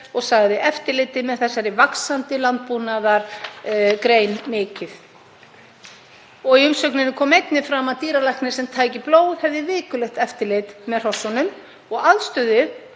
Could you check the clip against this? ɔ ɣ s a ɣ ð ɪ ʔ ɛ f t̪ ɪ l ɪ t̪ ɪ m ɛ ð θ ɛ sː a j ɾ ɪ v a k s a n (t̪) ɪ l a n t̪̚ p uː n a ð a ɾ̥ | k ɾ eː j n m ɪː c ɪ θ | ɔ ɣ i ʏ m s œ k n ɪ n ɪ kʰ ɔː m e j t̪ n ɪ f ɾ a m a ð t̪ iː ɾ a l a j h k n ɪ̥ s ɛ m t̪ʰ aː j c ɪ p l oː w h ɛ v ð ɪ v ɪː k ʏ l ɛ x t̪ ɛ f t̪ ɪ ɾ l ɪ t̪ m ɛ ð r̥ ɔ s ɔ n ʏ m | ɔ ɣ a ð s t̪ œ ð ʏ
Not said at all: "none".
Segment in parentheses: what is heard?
t̪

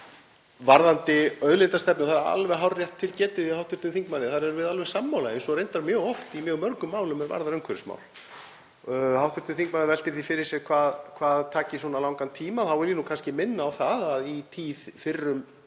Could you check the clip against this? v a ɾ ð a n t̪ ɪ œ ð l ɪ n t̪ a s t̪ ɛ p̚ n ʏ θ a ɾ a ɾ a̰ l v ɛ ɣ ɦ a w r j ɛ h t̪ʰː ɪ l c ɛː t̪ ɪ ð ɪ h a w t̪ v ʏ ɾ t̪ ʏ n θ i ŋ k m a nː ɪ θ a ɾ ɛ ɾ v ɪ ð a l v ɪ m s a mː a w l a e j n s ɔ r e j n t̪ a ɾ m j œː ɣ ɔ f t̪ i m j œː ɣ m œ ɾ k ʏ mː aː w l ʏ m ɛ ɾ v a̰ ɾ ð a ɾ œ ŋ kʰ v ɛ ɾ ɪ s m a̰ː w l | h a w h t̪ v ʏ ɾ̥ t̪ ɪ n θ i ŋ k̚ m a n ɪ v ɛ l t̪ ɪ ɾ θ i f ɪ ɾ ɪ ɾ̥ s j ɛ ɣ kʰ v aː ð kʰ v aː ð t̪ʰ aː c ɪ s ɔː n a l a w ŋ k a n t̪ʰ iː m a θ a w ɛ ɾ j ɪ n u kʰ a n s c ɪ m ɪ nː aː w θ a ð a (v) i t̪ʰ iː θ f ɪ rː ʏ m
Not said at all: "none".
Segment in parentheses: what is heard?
ð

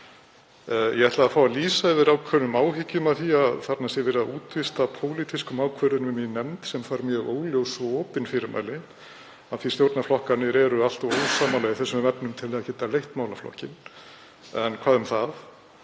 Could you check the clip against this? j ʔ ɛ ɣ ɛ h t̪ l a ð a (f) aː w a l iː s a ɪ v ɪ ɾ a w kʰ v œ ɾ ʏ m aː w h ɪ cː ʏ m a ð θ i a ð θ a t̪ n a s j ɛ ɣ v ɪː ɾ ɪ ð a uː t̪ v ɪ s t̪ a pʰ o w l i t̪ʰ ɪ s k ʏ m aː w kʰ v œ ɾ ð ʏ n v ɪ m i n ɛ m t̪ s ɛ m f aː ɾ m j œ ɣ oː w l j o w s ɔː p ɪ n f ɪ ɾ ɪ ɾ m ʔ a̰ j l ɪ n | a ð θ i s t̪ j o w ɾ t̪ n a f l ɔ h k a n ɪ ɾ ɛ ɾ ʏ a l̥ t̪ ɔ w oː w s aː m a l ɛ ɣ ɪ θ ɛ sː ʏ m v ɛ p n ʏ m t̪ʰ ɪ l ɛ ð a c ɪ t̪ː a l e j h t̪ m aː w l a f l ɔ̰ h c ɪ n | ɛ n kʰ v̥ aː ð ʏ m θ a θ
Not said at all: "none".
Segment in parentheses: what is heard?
f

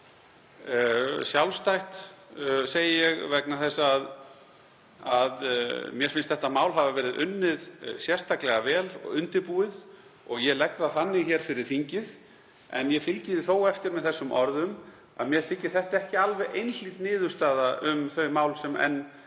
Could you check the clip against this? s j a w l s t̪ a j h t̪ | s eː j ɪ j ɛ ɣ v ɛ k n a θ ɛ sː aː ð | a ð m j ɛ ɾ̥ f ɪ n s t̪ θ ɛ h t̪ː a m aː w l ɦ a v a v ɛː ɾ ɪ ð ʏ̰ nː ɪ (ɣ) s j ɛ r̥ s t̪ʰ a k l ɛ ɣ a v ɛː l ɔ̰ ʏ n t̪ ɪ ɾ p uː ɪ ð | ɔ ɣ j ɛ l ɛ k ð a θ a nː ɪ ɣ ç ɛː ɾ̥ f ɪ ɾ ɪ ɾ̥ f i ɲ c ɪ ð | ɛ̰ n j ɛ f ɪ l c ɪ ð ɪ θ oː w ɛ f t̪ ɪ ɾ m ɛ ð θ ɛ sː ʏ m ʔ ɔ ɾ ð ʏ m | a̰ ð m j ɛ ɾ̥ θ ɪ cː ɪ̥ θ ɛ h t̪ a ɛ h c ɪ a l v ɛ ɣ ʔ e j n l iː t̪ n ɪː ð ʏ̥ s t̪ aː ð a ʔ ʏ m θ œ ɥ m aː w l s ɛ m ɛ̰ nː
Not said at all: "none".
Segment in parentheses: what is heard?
ð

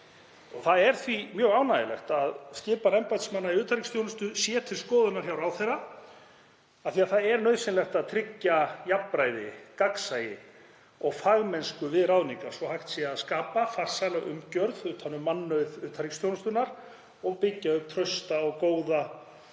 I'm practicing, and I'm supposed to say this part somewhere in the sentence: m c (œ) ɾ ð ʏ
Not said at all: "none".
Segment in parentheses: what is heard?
œ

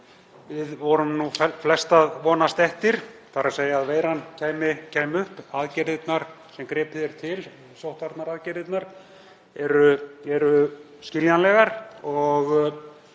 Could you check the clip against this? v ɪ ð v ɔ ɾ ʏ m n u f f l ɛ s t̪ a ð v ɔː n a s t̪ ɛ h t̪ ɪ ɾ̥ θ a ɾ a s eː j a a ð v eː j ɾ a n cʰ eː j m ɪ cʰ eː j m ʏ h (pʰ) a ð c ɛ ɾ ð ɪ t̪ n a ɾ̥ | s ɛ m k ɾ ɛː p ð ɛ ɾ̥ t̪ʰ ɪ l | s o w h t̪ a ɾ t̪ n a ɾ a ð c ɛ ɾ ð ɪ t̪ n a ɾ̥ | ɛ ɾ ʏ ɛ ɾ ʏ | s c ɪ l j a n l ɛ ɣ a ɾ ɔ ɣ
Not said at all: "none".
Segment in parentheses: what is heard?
p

